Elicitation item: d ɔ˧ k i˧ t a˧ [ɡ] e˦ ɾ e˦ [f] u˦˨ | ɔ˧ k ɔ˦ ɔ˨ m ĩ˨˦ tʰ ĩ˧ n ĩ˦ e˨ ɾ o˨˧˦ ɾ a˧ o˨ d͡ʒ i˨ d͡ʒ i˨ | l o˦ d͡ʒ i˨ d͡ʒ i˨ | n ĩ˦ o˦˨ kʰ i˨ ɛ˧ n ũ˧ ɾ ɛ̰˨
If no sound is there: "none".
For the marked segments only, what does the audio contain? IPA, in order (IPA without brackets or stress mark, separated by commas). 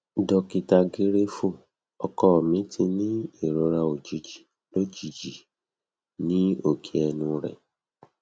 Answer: ɡ, f